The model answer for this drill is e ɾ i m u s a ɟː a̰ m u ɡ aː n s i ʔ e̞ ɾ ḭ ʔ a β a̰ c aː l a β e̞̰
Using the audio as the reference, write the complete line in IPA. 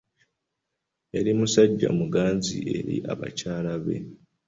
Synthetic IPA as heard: e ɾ i m u s a ɟː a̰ m u ɡ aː n z i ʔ e̞ ɾ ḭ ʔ a β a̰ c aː l a β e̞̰